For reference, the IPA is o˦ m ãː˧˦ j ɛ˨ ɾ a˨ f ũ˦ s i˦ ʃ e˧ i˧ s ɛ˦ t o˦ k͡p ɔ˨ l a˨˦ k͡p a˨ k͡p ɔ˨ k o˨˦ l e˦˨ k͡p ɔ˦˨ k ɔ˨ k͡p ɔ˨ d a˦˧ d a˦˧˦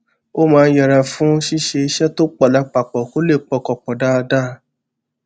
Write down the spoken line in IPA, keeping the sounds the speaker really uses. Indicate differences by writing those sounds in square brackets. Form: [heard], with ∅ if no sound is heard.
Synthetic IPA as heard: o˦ m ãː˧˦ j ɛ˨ ɾ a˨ f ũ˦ [ʃ] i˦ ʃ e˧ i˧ [ʃ] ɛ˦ t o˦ k͡p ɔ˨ l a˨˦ k͡p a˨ k͡p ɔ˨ k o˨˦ l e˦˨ k͡p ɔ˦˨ k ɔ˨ k͡p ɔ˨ d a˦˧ d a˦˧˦